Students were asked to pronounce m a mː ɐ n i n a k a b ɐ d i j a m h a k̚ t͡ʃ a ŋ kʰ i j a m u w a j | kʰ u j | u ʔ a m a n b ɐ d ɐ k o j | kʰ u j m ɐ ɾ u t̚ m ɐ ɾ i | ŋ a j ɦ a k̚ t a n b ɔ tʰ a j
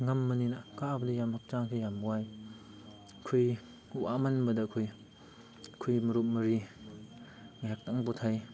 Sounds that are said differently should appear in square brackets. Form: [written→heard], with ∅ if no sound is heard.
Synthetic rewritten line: [m→ŋ] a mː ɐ n i n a k a b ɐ d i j a m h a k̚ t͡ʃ a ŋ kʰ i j a m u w a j | kʰ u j | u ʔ a m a n b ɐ d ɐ [k→kʰ] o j | kʰ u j m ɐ ɾ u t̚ m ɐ ɾ i | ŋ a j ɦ a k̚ t a [n→ŋ] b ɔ tʰ a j